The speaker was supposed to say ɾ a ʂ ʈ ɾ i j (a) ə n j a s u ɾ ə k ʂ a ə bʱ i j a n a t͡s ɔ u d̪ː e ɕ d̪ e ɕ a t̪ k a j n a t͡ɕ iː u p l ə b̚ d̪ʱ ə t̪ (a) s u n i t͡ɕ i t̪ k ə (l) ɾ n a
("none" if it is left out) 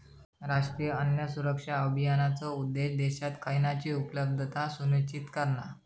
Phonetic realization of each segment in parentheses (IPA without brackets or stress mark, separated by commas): ə, a, none